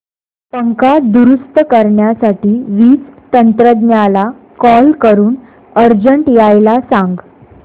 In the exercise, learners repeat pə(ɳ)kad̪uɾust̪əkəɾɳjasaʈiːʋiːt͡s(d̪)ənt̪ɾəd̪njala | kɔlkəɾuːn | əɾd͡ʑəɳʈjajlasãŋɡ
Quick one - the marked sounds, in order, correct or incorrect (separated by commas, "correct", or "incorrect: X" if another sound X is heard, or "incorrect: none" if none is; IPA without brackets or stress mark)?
incorrect: ŋ, incorrect: t̪